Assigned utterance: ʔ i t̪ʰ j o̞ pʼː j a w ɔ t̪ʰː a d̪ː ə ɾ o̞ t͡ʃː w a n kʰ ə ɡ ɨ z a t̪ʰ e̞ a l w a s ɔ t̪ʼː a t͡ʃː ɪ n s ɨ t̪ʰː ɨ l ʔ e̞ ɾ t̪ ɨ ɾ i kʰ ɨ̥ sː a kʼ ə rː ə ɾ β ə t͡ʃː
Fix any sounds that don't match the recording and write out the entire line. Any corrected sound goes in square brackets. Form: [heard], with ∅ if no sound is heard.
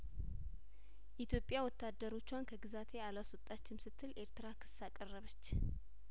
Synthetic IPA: ʔ i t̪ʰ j o̞ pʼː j a w ɔ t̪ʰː a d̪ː ə ɾ o̞ t͡ʃː w a n kʰ ə ɡ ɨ z a t̪ʰ e̞ a l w a s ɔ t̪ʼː a t͡ʃː ɪ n s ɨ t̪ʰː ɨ l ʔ e̞ ɾ t̪ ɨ ɾ [a] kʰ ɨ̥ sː a kʼ ə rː ə [∅] β ə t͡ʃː